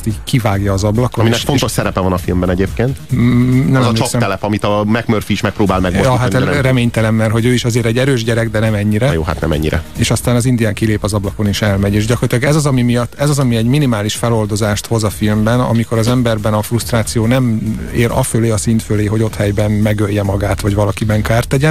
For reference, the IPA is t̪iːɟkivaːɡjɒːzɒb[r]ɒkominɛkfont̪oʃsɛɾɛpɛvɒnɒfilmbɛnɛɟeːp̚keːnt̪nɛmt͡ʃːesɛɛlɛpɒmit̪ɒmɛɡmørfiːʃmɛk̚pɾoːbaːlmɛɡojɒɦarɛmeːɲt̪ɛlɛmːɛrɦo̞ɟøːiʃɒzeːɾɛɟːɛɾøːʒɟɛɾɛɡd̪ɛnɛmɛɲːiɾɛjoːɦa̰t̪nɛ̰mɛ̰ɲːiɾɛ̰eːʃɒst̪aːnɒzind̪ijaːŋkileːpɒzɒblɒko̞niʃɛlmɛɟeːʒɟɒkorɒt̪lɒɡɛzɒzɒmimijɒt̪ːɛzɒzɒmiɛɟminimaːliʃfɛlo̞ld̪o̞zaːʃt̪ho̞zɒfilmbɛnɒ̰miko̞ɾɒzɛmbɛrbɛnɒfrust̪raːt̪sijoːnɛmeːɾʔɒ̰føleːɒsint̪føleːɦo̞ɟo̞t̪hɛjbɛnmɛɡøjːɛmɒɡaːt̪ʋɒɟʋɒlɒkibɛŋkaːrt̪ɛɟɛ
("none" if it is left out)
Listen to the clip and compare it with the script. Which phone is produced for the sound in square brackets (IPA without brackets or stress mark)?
l